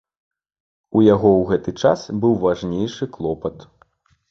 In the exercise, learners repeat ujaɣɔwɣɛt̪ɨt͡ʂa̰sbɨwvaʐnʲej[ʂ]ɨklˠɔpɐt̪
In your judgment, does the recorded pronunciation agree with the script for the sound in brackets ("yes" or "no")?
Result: yes